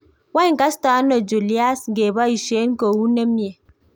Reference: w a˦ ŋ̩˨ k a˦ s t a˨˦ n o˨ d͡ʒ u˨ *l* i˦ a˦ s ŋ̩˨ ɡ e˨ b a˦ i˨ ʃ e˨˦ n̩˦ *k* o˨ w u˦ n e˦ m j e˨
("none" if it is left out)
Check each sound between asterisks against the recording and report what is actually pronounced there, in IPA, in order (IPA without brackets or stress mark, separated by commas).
l, k